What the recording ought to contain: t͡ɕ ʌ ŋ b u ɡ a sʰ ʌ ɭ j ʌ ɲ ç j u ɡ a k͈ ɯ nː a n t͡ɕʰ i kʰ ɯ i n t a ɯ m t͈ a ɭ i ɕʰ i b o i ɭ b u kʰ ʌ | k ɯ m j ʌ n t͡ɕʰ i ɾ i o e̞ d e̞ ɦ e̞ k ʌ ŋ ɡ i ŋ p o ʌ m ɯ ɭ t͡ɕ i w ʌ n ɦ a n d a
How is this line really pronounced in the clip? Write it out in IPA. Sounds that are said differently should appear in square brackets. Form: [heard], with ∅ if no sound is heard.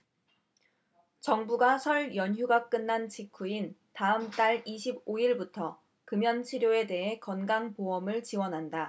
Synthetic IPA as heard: t͡ɕ ʌ ŋ b u ɡ a sʰ ʌ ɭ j ʌ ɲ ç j u ɡ a k͈ ɯ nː a n t͡ɕʰ i kʰ [u] i n t a ɯ m t͈ a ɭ i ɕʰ i b o i ɭ b u [tʰ] ʌ | k ɯ m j ʌ n t͡ɕʰ i ɾ [j] o e̞ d e̞ ɦ e̞ k ʌ [n] ɡ [a] ŋ p o ʌ m ɯ ɭ t͡ɕ i w ʌ n ɦ a n d a